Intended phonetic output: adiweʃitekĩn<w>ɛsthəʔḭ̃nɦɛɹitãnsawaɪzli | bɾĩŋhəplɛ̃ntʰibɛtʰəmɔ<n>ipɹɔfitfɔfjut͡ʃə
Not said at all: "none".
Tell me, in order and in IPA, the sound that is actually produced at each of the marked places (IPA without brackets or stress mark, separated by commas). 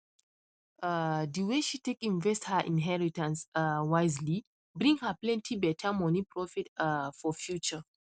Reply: v, n